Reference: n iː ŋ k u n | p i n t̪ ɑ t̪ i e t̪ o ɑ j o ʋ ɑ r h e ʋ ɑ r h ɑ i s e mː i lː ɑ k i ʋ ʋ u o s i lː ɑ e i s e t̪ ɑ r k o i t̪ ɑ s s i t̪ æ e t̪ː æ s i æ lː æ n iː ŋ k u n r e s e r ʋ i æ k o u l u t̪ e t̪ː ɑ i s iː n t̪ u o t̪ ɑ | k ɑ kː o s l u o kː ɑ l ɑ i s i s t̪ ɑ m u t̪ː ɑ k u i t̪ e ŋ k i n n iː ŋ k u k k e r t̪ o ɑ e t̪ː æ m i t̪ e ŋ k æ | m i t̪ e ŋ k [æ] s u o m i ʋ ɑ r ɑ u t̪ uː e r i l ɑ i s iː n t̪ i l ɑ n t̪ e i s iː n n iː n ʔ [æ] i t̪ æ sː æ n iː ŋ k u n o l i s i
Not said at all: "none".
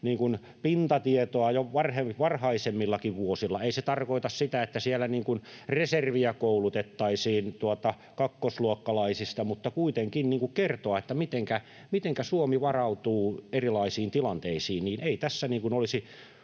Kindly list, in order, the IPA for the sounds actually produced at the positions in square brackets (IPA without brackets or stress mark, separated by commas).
æ, e